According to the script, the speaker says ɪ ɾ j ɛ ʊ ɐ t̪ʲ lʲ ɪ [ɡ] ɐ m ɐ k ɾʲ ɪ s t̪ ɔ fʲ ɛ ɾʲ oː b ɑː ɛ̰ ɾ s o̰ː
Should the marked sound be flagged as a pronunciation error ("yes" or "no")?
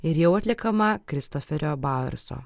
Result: yes